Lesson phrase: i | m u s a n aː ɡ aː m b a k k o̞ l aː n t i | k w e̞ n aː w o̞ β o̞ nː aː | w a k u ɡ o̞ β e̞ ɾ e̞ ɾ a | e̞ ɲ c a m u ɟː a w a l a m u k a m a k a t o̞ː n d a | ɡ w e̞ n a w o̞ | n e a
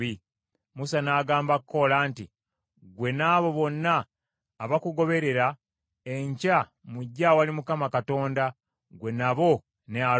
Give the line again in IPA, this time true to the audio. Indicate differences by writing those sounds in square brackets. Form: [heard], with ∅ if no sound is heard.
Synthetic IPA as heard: i | m u s a n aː ɡ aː m b a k k o̞ l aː n t i | [ɡ] w e̞ n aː [β] o̞ β o̞ nː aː | [β] a k u ɡ o̞ β e̞ ɾ e̞ ɾ a | e̞ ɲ c a m u ɟː a w a l [i] m u k a m a k a t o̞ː n d a | ɡ w e̞ n a [β] o̞ | n e a